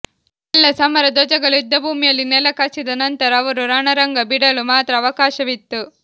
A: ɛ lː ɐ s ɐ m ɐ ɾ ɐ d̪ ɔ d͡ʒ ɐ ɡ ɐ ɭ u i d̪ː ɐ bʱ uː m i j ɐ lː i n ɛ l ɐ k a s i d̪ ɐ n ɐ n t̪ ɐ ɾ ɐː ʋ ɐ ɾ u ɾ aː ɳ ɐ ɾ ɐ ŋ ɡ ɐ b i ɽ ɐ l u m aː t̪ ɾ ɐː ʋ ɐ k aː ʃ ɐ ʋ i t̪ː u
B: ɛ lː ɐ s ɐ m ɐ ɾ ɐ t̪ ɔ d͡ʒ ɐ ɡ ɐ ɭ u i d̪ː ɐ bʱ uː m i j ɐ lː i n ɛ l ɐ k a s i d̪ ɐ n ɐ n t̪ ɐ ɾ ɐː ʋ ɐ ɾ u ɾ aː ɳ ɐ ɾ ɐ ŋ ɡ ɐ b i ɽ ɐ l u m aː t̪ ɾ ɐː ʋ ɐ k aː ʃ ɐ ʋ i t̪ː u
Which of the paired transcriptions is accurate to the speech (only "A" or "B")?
A